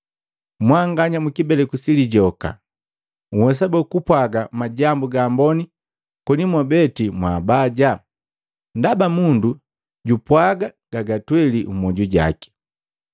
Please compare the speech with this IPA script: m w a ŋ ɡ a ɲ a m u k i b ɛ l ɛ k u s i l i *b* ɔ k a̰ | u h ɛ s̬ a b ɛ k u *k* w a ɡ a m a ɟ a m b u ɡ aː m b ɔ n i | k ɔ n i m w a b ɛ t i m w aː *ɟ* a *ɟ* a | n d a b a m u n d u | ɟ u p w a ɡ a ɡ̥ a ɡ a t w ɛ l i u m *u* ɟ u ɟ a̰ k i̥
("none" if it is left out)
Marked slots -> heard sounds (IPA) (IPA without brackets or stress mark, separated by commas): ɟ, p, b, ɟ, ɔ